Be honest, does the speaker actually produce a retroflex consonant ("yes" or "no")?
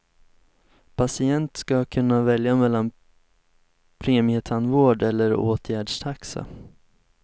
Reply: yes